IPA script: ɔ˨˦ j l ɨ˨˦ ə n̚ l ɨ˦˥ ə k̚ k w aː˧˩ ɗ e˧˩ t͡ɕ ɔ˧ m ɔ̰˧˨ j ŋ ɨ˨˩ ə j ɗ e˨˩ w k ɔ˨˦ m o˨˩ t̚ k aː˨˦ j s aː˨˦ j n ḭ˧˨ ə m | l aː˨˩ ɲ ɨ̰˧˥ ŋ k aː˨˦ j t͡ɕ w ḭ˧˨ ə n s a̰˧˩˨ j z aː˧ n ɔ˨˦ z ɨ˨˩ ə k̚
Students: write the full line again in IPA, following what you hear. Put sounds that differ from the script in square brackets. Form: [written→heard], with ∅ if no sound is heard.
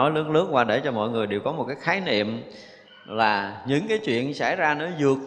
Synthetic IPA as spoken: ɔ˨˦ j l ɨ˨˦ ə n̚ l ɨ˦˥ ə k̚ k w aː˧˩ ɗ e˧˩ t͡ɕ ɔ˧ m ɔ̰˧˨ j ŋ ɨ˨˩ ə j ɗ e˨˩ w k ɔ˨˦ m o˨˩ t̚ k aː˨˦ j [s→x] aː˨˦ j n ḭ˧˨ ə m | l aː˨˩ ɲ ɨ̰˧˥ ŋ k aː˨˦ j t͡ɕ w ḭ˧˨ ə n s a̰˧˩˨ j z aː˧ n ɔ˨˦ z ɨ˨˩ ə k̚